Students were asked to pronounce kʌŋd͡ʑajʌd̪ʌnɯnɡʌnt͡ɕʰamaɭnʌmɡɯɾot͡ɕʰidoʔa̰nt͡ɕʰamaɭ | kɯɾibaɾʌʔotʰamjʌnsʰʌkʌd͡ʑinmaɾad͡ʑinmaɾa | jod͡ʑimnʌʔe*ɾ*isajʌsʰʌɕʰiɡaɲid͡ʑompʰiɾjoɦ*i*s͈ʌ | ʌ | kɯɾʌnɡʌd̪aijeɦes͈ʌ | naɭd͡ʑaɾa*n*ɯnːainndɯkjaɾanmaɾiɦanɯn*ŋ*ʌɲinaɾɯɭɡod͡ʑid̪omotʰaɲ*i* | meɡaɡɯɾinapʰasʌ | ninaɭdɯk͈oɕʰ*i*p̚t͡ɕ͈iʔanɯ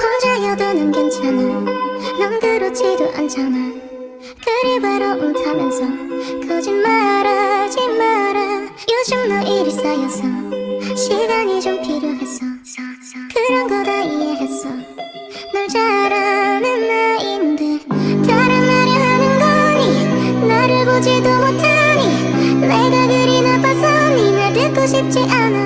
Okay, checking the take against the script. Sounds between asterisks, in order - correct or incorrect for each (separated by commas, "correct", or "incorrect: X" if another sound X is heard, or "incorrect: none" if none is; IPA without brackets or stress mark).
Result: correct, incorrect: e, correct, incorrect: ɡ, correct, correct